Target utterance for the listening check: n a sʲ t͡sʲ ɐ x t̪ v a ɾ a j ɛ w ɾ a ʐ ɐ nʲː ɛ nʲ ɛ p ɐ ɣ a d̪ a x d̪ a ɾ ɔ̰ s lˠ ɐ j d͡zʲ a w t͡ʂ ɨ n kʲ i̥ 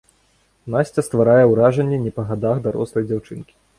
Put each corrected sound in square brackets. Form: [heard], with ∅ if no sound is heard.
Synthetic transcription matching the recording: n a sʲ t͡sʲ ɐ [s] t̪ v a ɾ a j ɛ w ɾ a ʐ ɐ nʲː ɛ nʲ ɛ p ɐ ɣ a d̪ a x d̪ a ɾ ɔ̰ s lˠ ɐ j d͡zʲ a w t͡ʂ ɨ n kʲ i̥

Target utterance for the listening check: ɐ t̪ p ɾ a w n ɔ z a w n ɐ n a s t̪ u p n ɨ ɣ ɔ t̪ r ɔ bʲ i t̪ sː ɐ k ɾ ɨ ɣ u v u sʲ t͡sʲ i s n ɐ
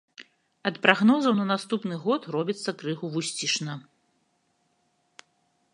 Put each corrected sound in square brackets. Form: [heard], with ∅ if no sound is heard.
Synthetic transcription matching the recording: ɐ t̪ p ɾ a [ɣ] n ɔ z [ɐ] w n ɐ n a s t̪ u p n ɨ ɣ ɔ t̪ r ɔ bʲ i t̪ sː ɐ k ɾ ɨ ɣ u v u sʲ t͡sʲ i [ʂ] n ɐ

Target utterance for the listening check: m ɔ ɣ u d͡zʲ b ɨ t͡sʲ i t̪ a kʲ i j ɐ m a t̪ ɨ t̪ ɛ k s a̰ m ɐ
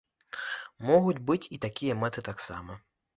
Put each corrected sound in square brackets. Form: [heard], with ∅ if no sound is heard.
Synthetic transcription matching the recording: m ɔ ɣ u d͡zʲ b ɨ t͡sʲ i t̪ a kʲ i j ɐ m [ɛ] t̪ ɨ t̪ [a] k s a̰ m ɐ

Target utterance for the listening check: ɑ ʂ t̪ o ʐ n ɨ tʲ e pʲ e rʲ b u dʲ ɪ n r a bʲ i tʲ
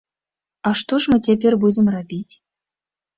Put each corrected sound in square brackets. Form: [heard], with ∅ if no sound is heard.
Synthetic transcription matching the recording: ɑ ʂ t̪ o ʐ [m] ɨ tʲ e pʲ e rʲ b u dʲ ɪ [m] r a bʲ i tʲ

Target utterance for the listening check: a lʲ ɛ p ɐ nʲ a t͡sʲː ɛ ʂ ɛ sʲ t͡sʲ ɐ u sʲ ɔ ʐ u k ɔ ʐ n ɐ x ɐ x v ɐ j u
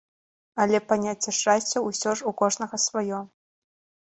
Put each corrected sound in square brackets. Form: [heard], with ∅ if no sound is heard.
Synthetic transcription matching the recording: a lʲ ɛ p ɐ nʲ a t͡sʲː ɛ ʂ [a] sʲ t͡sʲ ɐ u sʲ ɔ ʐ u k ɔ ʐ n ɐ [ɣ] ɐ [s] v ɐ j [ɔ]

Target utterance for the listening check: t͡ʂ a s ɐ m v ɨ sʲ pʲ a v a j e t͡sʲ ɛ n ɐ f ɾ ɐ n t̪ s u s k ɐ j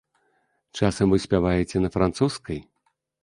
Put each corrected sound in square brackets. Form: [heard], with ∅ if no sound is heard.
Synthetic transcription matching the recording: t͡ʂ a s ɐ m v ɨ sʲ pʲ a v a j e t͡sʲ ɛ n ɐ f ɾ [a] n t̪ s u s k ɐ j

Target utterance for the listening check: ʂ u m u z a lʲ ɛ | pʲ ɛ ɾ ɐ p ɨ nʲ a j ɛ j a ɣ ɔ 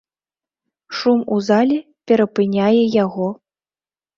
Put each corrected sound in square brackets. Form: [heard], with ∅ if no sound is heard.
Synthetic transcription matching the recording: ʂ u m u z a lʲ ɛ | pʲ ɛ ɾ ɐ p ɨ nʲ a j ɛ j a ɣ ɔ

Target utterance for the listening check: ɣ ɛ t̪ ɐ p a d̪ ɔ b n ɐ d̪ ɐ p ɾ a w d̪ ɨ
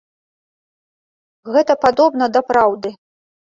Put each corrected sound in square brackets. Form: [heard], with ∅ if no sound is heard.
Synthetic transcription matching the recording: ɣ ɛ t̪ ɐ p a d̪ ɔ b n ɐ d̪ ɐ p ɾ a w d̪ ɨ

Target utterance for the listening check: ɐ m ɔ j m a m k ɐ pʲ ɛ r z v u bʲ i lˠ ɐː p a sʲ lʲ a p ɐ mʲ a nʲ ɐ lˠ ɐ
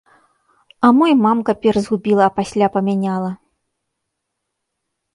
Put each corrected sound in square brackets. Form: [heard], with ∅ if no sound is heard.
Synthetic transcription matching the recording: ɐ m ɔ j m a m k ɐ pʲ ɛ r z [ɣ] u bʲ i lˠ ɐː p a sʲ lʲ a p ɐ mʲ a nʲ [a] lˠ ɐ

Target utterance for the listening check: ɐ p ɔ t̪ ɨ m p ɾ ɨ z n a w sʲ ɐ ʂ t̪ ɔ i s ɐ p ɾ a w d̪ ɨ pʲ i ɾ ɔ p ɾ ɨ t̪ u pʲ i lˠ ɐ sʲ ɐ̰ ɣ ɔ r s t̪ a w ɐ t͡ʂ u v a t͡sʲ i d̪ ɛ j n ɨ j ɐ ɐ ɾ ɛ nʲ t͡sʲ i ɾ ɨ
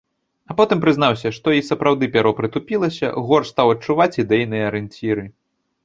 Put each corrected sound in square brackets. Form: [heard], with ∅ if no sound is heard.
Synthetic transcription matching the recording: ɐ p ɔ t̪ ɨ m p ɾ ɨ z n a w sʲ ɐ ʂ t̪ ɔ i s ɐ p ɾ a w d̪ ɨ pʲ [a] ɾ ɔ p ɾ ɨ t̪ u pʲ i lˠ ɐ sʲ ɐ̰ ɣ ɔ r s t̪ a w ɐ t͡ʂ u v a t͡sʲ i d̪ ɛ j n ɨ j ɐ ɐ ɾ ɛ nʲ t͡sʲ i ɾ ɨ

